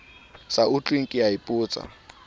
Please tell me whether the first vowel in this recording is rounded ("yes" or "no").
no